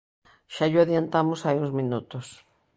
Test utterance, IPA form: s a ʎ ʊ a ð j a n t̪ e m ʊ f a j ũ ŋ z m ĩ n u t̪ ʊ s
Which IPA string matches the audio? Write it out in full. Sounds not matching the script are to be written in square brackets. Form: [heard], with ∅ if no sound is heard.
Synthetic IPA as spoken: [ʃ] a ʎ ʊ a ð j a n t̪ [a] m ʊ [s] a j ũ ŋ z m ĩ n u t̪ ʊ s